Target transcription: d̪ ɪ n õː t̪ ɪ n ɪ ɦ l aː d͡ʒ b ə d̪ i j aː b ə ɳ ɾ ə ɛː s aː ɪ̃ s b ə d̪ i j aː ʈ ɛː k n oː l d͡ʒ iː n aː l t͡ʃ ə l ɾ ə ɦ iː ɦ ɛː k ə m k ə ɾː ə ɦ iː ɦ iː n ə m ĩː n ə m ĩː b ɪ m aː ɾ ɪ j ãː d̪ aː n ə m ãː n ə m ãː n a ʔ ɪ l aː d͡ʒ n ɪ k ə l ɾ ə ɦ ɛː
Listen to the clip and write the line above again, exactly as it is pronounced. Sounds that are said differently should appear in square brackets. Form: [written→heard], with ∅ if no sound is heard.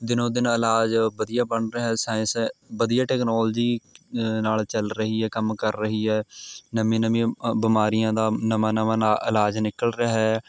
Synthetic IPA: d̪ ɪ n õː [t̪→d̪] ɪ n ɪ [ɦ→∅] l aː d͡ʒ b ə d̪ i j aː b ə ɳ ɾ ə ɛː s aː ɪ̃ s b ə d̪ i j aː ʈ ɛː k n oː l d͡ʒ iː n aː l t͡ʃ ə l ɾ ə ɦ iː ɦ ɛː k ə m k ə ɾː ə ɦ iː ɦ [iː→ɛː] n ə m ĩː n ə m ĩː b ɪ m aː ɾ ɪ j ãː d̪ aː n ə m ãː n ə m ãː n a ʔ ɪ l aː d͡ʒ n ɪ k ə l ɾ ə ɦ ɛː